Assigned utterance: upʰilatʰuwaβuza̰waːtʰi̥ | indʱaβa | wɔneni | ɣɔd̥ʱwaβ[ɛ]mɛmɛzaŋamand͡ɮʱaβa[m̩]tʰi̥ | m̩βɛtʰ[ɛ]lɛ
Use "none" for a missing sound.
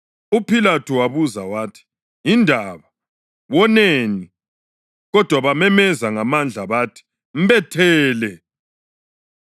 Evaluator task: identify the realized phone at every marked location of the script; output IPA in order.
a, none, ɛː

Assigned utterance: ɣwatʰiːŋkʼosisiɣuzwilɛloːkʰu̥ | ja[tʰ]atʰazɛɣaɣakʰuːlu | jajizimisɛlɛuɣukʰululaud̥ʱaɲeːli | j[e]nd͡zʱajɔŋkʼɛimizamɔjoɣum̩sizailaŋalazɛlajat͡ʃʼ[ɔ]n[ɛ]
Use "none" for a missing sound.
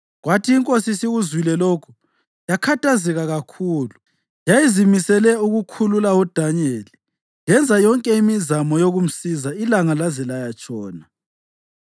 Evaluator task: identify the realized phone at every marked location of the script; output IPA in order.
kʰ, ɛ, ɔː, a

